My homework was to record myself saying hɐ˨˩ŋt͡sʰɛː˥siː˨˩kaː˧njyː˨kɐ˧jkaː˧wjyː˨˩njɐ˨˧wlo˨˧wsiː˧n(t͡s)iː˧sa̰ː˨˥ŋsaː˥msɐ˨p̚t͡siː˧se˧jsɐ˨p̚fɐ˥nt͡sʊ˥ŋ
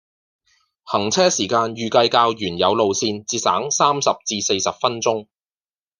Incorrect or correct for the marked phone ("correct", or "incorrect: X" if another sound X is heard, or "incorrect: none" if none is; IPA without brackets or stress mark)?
correct